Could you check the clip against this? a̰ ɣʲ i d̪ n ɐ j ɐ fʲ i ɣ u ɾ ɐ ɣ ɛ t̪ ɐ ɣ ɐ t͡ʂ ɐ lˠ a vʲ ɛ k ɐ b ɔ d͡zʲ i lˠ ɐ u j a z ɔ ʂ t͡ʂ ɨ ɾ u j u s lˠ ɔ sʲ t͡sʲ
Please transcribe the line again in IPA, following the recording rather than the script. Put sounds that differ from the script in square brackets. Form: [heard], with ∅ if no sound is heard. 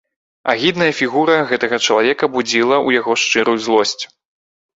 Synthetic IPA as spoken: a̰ ɣʲ i d̪ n ɐ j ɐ fʲ i ɣ u ɾ ɐ ɣ ɛ t̪ ɐ ɣ ɐ t͡ʂ ɐ lˠ a vʲ ɛ k ɐ b [u] d͡zʲ i lˠ ɐ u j a [ɣ] ɔ ʂ t͡ʂ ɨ ɾ u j u [z] lˠ ɔ sʲ t͡sʲ